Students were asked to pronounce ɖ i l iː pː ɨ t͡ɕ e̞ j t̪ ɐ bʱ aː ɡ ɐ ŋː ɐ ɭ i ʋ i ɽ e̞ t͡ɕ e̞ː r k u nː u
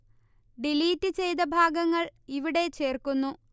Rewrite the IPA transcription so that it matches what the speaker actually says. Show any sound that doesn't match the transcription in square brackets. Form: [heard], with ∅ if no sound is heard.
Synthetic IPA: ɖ i l iː [tː] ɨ t͡ɕ e̞ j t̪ ɐ bʱ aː ɡ ɐ ŋː ɐ ɭ i ʋ i ɽ e̞ t͡ɕ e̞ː r k u nː u